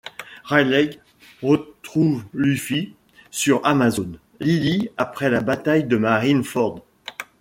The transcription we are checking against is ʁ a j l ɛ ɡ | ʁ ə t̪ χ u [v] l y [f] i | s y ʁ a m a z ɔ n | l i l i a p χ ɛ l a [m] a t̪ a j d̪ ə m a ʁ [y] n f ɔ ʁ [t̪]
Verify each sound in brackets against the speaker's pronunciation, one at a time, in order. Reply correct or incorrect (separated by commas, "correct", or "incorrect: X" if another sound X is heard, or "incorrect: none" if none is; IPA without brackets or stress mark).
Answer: correct, correct, incorrect: b, incorrect: i, incorrect: d̪